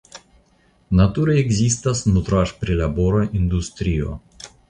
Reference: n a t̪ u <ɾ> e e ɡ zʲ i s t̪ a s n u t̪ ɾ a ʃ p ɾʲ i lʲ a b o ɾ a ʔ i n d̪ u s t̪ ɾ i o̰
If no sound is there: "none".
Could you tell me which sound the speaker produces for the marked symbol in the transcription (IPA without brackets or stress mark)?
ɾ